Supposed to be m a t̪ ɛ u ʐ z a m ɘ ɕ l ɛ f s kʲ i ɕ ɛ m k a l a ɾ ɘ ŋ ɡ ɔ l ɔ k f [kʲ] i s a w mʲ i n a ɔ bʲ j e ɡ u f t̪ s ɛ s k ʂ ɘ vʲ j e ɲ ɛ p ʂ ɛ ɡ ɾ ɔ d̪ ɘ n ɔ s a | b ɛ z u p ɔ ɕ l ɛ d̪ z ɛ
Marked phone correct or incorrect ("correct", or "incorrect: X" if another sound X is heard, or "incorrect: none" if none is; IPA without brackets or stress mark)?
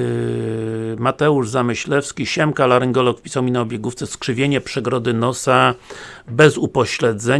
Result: incorrect: pʲ